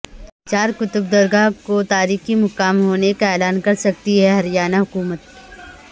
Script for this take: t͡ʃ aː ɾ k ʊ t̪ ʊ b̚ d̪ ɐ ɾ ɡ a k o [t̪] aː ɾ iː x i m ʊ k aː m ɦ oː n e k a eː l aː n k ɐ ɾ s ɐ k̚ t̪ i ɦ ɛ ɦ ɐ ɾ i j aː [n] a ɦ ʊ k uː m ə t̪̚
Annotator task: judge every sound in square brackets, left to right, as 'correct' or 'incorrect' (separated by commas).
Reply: correct, correct